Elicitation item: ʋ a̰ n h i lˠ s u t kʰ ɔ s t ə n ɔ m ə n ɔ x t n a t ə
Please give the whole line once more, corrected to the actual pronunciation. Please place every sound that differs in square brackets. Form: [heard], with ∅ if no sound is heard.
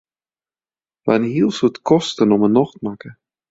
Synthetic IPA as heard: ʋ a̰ n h i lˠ s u t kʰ ɔ s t ə n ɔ m ə n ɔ x t [m] a [k] ə